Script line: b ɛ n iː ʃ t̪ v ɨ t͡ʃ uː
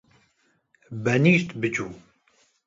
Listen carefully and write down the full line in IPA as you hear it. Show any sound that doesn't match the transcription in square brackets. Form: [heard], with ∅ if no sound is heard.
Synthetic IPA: b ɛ n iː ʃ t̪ [b] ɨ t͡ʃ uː